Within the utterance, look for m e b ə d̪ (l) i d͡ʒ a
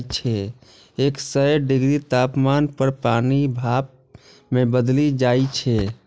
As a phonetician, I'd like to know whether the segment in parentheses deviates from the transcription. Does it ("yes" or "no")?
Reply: no